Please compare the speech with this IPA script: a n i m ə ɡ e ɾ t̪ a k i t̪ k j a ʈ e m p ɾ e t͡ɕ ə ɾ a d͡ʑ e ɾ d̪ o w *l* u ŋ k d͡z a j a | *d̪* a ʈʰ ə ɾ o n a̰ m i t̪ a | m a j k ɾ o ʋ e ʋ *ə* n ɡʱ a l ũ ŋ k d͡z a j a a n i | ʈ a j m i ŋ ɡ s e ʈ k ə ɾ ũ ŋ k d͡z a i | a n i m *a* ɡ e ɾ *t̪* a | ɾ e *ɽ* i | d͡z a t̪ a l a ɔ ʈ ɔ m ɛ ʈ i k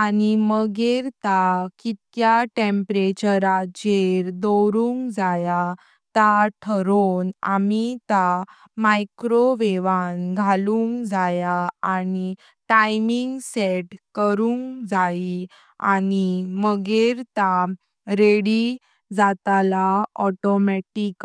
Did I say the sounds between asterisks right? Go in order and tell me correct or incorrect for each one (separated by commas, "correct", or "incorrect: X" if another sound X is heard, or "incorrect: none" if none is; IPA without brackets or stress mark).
incorrect: ɾ, incorrect: t̪, incorrect: a, incorrect: ə, correct, correct